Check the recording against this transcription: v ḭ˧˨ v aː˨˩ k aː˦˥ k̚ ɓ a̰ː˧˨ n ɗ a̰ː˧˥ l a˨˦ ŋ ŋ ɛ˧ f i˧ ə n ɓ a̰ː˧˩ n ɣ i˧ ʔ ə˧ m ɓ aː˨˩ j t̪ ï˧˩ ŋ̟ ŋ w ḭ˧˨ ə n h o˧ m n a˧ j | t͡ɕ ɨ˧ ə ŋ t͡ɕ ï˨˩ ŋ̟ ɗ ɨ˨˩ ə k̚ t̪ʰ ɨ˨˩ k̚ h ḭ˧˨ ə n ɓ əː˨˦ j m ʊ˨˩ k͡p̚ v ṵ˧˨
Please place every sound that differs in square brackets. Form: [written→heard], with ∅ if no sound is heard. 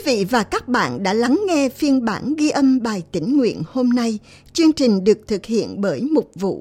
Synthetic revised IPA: v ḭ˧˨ v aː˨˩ k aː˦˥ k̚ ɓ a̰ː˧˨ n ɗ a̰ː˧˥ l a˨˦ ŋ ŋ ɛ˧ f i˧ ə n ɓ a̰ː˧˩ n ɣ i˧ ʔ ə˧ m ɓ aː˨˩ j t̪ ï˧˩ ŋ̟ ŋ w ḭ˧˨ ə n h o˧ m n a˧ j | t͡ɕ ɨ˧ ə ŋ t͡ɕ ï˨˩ ŋ̟ ɗ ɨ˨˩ ə k̚ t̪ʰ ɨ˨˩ k̚ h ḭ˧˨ ə n ɓ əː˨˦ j m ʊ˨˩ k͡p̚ v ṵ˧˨